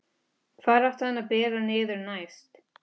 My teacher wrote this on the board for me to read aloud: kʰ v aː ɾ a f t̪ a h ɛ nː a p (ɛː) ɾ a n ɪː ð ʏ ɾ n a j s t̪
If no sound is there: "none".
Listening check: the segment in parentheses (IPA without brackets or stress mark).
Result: ɛː